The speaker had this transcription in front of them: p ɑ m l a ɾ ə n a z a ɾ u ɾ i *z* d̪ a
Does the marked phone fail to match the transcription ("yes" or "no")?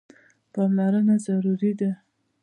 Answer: yes